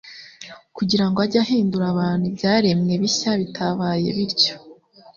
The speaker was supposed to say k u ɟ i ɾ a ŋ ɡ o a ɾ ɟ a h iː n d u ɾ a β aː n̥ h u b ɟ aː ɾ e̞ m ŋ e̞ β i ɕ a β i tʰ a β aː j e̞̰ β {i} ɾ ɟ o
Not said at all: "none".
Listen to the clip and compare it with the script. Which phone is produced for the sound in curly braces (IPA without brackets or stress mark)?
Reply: i